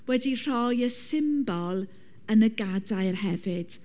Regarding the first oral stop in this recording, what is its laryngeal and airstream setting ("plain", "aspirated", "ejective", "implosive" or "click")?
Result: plain